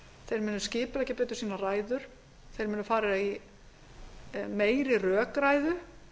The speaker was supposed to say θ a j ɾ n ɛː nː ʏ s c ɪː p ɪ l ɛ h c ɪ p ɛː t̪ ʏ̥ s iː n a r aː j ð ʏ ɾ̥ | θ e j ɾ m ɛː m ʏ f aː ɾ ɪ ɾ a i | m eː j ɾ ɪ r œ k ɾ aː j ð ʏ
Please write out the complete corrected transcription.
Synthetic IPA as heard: θ e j ɾ m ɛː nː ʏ s c ɪː p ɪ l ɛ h c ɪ p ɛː t̪ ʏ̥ s iː n a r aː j ð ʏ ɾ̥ | θ e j ɾ m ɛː n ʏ f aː ɾ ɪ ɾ a i | m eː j ɾ ɪ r œː k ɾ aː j ð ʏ